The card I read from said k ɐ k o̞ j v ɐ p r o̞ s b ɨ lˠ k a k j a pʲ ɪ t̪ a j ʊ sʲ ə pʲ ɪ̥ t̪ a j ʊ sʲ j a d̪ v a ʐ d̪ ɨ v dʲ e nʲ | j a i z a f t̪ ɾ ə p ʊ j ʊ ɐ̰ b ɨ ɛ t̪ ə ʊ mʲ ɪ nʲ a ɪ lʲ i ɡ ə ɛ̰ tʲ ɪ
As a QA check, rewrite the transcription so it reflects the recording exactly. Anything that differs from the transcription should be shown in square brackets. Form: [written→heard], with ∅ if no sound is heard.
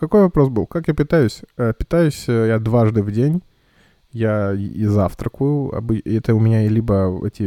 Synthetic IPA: k ɐ k o̞ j v ɐ p [r→ɾ] o̞ s b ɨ lˠ k a k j a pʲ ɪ t̪ a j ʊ sʲ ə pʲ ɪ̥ t̪ a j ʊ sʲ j a d̪ v a ʐ d̪ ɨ v dʲ e nʲ | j a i z a f t̪ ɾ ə [p→k] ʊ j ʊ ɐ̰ b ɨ ɛ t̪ ə ʊ mʲ ɪ nʲ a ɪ lʲ i [ɡ→b] ə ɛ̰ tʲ ɪ